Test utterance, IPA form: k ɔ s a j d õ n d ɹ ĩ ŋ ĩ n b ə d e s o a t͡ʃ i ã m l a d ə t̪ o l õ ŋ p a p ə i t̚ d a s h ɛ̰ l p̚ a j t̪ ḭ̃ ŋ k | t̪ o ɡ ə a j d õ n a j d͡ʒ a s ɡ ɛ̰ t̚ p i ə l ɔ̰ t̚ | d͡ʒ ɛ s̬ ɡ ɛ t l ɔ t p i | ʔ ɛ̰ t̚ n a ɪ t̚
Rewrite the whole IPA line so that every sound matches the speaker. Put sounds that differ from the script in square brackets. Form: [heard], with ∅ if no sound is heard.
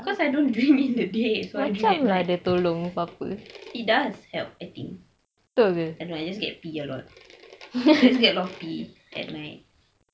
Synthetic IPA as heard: k ɔ s a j d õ n d ɹ ĩ ŋ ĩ n [d] ə d e s o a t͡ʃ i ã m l a d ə t̪ o l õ ŋ p a p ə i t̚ d a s h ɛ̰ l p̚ a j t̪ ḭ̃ ŋ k | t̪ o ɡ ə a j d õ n a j d͡ʒ a s ɡ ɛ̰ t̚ p i ə l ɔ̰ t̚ | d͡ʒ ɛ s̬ ɡ ɛ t l ɔ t p i | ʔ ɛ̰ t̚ n a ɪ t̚